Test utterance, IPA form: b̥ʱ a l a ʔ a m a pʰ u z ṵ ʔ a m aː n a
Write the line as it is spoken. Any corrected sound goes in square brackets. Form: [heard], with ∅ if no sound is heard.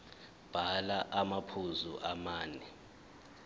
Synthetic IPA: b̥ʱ a l a ʔ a m a pʰ u z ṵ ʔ a m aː n [ɛ]